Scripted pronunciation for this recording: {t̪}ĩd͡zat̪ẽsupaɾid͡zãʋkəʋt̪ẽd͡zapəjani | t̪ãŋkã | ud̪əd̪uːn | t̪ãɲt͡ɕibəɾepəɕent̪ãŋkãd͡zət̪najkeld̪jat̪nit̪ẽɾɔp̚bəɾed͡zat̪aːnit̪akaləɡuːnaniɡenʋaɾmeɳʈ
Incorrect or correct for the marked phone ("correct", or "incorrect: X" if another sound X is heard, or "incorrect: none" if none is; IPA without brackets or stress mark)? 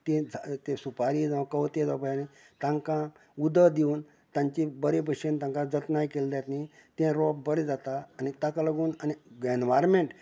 correct